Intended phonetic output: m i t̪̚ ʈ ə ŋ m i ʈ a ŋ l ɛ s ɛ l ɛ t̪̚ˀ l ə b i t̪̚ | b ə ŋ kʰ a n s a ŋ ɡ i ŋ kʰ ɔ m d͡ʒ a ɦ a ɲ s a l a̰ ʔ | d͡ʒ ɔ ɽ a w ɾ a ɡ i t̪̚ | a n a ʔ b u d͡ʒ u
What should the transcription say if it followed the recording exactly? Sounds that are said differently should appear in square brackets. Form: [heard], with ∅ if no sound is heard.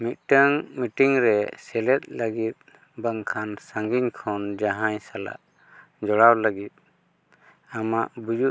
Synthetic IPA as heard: m i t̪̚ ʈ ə ŋ m i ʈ [i] ŋ [ɾ] ɛ s ɛ l ɛ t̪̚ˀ l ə [ɡ] i t̪̚ | b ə ŋ kʰ a n s a ŋ ɡ i [ɲ] kʰ ɔ [n] d͡ʒ a ɦ a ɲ s a l a̰ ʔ | d͡ʒ ɔ ɽ a w [l] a ɡ i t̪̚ | a [m] a ʔ b u d͡ʒ u